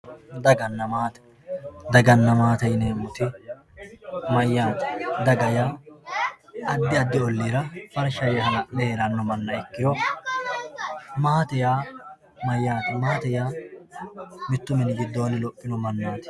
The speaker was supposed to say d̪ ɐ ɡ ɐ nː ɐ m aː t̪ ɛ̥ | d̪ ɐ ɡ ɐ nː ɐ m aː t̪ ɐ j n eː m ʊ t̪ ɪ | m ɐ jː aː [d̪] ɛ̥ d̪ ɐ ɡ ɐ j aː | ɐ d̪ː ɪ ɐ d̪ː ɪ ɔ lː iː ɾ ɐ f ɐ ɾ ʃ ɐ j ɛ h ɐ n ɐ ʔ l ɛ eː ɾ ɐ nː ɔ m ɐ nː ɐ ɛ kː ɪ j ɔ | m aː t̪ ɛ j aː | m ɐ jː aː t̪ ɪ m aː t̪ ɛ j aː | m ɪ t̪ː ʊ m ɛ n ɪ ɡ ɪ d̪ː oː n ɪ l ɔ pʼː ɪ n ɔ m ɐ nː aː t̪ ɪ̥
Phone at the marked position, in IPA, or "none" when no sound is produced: t̪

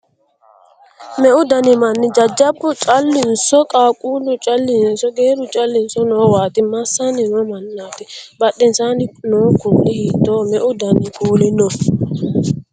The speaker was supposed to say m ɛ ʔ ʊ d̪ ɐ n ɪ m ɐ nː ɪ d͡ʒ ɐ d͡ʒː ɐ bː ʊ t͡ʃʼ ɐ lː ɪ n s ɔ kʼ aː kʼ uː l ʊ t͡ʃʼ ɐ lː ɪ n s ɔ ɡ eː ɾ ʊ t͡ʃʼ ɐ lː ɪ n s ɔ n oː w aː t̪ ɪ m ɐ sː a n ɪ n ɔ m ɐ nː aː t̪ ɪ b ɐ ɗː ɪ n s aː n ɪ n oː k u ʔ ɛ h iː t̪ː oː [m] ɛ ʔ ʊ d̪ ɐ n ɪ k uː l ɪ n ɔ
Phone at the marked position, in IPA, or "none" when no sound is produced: m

